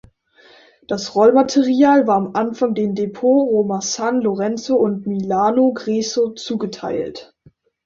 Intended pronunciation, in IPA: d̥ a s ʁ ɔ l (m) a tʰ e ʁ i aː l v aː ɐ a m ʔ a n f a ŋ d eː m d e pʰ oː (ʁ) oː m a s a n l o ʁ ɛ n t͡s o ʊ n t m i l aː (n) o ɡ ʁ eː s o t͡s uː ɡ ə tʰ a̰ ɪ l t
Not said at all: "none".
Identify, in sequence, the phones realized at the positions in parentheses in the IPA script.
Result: m, ʁ, n

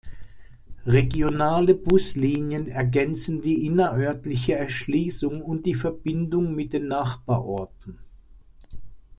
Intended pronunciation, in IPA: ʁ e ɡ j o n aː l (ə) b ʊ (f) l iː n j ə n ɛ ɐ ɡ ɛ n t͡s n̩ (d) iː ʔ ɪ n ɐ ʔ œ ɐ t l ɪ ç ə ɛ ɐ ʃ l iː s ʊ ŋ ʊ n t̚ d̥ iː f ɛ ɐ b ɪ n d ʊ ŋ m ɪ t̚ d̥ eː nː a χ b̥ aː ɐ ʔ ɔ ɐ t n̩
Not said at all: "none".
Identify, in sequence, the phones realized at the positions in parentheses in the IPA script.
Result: ə, s, d

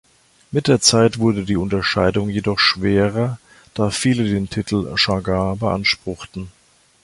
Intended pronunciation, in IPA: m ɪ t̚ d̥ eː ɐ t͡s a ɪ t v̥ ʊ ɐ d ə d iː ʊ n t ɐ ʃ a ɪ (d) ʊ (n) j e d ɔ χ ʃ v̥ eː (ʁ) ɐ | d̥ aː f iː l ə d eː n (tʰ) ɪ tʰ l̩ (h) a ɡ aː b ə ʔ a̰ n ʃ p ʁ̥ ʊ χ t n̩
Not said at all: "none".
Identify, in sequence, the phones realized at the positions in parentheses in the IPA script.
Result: d, ŋ, ʁ, tʰ, ʃ

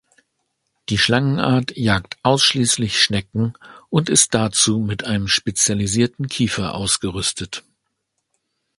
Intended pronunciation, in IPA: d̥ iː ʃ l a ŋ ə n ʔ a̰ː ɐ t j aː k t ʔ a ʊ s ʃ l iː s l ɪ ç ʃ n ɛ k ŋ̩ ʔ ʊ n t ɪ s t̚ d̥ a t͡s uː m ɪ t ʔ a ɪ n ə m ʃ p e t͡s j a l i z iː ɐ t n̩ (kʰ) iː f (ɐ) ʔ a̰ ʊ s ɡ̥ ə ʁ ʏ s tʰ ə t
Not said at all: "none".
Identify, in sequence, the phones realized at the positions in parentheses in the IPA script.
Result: kʰ, ɐ

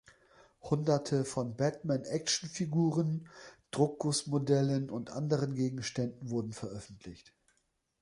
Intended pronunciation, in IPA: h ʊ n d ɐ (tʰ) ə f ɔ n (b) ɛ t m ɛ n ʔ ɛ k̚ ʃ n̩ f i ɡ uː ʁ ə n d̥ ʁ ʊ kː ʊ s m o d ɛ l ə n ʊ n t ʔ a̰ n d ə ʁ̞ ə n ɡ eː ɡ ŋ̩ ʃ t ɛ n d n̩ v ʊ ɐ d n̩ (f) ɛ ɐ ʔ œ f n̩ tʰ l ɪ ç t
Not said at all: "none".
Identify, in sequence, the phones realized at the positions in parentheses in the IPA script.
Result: tʰ, b, f

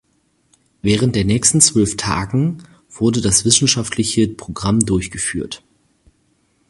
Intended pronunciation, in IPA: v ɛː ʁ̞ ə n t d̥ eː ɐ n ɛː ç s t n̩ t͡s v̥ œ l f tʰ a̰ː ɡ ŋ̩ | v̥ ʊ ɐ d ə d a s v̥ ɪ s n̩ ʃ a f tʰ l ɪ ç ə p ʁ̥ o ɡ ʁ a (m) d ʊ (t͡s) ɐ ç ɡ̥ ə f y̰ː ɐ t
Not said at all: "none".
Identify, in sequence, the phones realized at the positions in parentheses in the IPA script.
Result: m, none

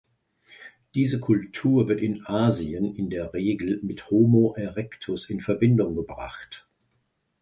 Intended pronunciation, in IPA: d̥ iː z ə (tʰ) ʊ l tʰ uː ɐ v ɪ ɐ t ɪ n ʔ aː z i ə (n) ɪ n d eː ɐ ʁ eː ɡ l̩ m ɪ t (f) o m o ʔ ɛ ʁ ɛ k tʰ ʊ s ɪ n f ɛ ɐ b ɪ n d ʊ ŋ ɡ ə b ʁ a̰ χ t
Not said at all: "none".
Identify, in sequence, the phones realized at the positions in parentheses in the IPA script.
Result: kʰ, n, h

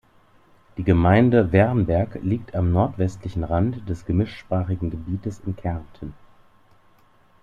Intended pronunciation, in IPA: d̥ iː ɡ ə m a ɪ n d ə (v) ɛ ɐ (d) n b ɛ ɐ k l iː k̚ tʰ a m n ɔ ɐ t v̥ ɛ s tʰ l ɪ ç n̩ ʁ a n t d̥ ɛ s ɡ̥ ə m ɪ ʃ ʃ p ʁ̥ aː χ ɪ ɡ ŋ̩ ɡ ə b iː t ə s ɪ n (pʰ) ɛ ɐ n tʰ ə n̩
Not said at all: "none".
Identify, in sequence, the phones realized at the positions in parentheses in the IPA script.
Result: v, none, kʰ

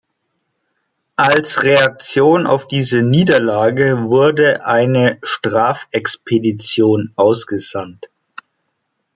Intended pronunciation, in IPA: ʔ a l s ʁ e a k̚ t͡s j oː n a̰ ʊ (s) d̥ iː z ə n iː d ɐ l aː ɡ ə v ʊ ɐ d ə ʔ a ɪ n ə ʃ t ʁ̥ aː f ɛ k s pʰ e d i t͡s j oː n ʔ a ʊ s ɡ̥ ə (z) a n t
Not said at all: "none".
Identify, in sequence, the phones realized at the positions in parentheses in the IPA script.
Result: f, z

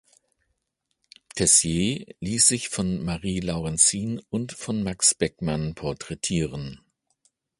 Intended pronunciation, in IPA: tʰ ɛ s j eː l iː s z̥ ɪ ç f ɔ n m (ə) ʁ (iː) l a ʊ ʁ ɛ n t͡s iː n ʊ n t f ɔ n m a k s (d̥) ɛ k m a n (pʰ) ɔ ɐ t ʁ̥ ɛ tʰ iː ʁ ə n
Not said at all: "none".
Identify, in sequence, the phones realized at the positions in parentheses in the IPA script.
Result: a, iː, b̥, pʰ

